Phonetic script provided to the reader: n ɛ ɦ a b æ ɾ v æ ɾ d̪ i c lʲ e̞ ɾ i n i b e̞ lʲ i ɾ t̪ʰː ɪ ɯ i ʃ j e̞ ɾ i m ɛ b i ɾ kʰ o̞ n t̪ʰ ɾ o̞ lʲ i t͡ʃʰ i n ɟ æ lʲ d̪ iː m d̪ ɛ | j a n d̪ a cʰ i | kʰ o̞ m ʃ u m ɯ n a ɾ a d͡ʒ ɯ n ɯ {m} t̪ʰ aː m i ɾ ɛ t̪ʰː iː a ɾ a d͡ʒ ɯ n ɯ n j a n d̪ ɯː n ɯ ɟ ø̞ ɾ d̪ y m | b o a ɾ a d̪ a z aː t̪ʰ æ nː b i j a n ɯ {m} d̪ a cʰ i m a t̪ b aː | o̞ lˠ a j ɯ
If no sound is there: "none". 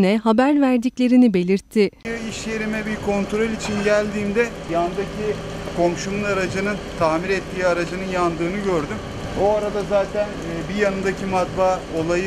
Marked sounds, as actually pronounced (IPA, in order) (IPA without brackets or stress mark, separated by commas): n, n